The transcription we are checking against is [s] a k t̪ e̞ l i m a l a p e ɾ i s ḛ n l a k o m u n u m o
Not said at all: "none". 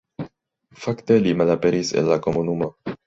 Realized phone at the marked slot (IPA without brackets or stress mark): f